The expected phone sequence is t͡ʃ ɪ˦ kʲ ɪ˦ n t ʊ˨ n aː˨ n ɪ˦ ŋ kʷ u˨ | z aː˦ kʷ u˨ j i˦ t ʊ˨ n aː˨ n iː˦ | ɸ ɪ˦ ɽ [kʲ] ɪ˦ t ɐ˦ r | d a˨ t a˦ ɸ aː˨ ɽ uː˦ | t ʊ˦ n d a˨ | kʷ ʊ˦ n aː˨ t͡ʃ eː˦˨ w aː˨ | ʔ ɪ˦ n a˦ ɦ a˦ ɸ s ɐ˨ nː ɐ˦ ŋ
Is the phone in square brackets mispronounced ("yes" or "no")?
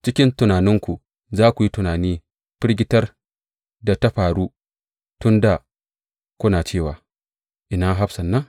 yes